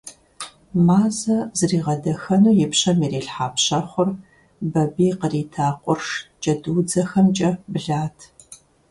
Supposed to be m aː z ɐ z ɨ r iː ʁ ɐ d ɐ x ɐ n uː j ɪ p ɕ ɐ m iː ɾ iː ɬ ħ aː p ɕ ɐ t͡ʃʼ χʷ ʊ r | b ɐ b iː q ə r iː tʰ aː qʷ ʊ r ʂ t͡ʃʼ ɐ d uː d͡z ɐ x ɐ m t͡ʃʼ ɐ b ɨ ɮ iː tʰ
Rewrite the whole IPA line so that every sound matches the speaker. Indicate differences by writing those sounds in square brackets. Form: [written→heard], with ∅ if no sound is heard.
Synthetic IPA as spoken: m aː z ɐ z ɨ r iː ʁ ɐ d ɐ x ɐ n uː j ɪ p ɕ ɐ m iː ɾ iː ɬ ħ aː p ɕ ɐ [t͡ʃʼ→∅] χʷ ʊ r | b ɐ b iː q ə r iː tʰ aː qʷ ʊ r ʂ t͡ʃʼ ɐ d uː d͡z ɐ x ɐ m t͡ʃʼ ɐ b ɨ ɮ [iː→aː] tʰ